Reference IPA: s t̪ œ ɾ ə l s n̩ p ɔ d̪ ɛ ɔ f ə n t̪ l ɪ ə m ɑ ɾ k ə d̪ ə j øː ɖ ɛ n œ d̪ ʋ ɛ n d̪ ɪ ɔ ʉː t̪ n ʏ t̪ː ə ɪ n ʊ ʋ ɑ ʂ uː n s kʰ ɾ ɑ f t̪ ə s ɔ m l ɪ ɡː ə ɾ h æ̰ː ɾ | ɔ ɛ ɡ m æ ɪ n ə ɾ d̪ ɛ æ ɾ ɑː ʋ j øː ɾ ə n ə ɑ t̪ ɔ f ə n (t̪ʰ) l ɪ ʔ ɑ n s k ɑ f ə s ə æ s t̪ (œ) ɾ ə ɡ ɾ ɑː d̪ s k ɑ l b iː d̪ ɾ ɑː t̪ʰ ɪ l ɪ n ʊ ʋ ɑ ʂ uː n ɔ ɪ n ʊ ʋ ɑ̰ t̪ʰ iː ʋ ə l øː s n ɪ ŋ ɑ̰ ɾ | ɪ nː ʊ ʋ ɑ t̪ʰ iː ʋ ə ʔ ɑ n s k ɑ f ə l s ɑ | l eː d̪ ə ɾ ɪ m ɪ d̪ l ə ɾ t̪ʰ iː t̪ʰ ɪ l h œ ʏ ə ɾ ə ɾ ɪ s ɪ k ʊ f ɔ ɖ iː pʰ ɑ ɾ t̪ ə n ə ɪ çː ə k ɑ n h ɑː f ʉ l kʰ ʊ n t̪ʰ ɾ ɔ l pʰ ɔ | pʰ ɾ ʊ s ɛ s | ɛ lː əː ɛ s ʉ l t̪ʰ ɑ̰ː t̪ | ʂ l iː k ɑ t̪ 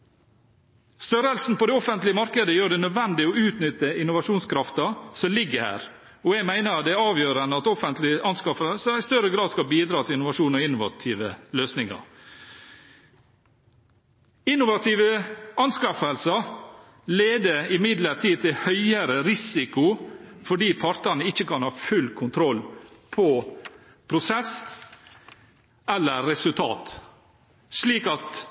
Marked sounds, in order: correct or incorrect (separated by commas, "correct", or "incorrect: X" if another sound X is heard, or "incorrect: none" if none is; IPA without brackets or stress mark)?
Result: incorrect: t̪, correct